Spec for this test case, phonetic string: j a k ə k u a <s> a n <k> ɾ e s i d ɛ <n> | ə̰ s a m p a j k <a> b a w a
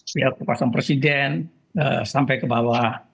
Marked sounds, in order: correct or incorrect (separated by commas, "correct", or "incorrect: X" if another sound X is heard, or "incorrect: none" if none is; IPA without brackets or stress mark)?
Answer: correct, incorrect: p, correct, incorrect: ə